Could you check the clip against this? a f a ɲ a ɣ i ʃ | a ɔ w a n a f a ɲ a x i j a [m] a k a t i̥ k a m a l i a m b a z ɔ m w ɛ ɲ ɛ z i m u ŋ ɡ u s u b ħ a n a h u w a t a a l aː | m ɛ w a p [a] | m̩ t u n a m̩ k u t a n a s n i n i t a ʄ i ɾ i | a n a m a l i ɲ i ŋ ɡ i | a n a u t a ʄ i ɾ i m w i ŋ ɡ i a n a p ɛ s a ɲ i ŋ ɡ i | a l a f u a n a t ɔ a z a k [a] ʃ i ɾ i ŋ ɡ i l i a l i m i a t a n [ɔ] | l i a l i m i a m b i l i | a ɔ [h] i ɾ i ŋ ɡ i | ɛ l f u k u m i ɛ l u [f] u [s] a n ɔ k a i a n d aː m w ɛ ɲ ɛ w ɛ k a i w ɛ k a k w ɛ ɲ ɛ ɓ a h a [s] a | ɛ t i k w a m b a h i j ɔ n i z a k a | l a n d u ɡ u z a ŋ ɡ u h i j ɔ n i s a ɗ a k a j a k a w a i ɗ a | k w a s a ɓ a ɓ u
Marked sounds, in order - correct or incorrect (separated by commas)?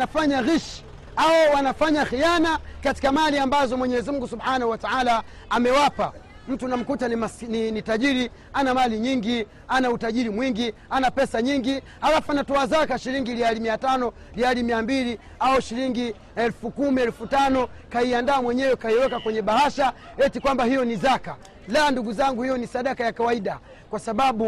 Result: incorrect, correct, correct, correct, incorrect, correct, incorrect, incorrect